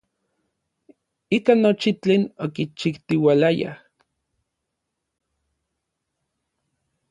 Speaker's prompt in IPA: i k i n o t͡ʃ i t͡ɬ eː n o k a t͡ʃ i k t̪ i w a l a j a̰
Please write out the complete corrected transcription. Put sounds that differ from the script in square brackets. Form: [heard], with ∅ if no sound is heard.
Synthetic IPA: i k [a] n o t͡ʃ i t͡ɬ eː n o k [i] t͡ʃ i k t̪ i w a l a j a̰